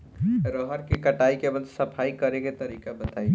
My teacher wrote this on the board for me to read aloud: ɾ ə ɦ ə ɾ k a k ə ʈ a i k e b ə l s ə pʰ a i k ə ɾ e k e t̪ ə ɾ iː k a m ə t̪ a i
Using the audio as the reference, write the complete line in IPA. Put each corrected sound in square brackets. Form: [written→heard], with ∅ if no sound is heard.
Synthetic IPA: ɾ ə ɦ ə ɾ k [a→e] k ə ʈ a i k e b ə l s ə pʰ a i k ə ɾ e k e t̪ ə ɾ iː k a [m→b] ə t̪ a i